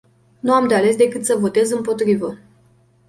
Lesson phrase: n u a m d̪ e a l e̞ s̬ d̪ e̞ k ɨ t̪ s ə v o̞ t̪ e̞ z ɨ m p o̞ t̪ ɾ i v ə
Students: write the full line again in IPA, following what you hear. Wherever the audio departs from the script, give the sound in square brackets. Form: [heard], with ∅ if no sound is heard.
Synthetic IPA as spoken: n u a m d̪ e a l e̞ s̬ d̪ e̞ k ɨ t̪ s ə v o̞ t̪ e̞ z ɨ m p o̞ t̪ ɾ i v ə

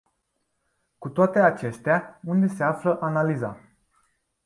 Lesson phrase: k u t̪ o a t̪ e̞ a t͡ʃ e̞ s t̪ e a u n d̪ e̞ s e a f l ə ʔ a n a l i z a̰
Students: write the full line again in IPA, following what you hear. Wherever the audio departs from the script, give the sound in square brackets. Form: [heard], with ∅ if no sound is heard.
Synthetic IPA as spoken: k u t̪ o a t̪ e̞ a t͡ʃ e̞ s t̪ e a u n d̪ e̞ s e a f l ə ʔ a n a l i z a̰

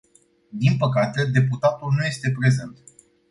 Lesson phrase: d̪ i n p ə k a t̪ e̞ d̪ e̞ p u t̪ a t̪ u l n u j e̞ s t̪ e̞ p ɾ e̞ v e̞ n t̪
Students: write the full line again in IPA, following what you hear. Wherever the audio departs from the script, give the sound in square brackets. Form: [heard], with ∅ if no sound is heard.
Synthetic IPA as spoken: d̪ i n p ə k a t̪ e̞ d̪ e̞ p u t̪ a t̪ u l n u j e̞ s t̪ e̞ p ɾ e̞ [z] e̞ n t̪

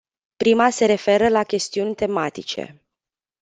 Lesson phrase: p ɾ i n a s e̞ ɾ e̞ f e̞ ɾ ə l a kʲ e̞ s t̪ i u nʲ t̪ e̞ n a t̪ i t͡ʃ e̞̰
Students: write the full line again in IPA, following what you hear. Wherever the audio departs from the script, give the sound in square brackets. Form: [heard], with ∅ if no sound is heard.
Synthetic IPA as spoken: p ɾ i [m] a s e̞ ɾ e̞ f e̞ ɾ ə l a kʲ e̞ s t̪ i u nʲ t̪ e̞ [m] a t̪ i t͡ʃ e̞̰

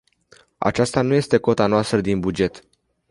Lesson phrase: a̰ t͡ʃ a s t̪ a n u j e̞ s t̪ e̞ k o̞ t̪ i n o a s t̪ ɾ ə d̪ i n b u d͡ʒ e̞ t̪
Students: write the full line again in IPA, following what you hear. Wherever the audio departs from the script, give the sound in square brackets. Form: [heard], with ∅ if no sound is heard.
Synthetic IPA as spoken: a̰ t͡ʃ a s t̪ a n u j e̞ s t̪ e̞ k o̞ t̪ [a] n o a s t̪ ɾ ə d̪ i n b u d͡ʒ e̞ t̪

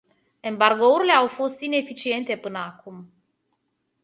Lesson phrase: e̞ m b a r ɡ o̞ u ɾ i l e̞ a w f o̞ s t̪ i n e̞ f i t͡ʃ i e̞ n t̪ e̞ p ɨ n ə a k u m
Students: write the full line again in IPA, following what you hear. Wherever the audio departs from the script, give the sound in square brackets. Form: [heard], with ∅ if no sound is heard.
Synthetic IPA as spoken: e̞ m b a r ɡ o̞ u ɾ i l e̞ a w f o̞ s t̪ i n e̞ f i t͡ʃ i e̞ n t̪ e̞ p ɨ n ə a k u m

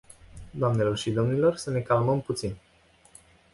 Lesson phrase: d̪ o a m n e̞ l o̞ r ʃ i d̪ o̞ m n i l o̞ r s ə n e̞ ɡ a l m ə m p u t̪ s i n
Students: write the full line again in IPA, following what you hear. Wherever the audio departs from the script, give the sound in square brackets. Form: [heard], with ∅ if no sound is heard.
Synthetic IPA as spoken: d̪ o a m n e̞ l o̞ r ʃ i d̪ o̞ m n i l o̞ r s ə n e̞ [k] a l m ə m p u t̪ s i n

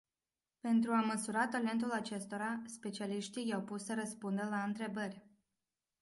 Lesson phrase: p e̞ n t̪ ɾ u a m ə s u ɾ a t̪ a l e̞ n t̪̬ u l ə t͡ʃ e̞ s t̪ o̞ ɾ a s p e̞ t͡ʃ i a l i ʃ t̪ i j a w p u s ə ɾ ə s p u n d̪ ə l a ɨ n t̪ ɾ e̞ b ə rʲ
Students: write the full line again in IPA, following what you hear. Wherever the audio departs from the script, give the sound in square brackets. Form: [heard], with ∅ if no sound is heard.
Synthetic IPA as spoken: p e̞ n t̪ ɾ u a m ə s u ɾ a t̪ a l e̞ n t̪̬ u l [a] t͡ʃ e̞ s t̪ o̞ ɾ a s p e̞ t͡ʃ i a l i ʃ t̪ i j a w p u s ə ɾ ə s p u n d̪ ə l a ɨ n t̪ ɾ e̞ b ə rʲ

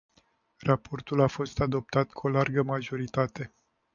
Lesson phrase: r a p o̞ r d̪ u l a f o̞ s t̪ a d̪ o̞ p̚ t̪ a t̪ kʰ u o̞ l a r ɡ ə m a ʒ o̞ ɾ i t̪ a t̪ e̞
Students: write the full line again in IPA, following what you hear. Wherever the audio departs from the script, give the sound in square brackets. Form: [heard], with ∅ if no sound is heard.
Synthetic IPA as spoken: r a p o̞ r [t̪] u l a f o̞ s t̪ a d̪ o̞ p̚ t̪ a t̪ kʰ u o̞ l a r ɡ ə m a ʒ o̞ ɾ i t̪ a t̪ e̞

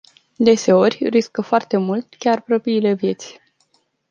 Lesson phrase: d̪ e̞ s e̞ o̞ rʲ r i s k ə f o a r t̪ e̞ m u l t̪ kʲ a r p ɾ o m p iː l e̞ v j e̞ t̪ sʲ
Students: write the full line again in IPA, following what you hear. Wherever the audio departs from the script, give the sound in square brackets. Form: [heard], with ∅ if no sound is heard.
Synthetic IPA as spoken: d̪ e̞ s e̞ o̞ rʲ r i s k ə f o a r t̪ e̞ m u l t̪ kʲ a r p ɾ o [∅] p iː l e̞ v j e̞ t̪ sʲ

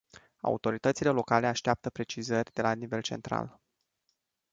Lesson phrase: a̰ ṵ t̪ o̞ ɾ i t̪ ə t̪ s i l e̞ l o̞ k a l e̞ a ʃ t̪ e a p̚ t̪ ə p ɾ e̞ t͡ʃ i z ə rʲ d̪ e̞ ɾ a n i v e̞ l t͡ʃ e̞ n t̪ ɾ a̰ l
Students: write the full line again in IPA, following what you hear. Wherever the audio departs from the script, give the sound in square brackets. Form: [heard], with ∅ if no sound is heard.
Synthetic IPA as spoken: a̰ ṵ t̪ o̞ ɾ i t̪ ə t̪ s i l e̞ l o̞ k a l e̞ a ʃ t̪ e a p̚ t̪ ə p ɾ e̞ t͡ʃ i z ə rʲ d̪ e̞ [l] a n i v e̞ l t͡ʃ e̞ n t̪ ɾ a̰ l

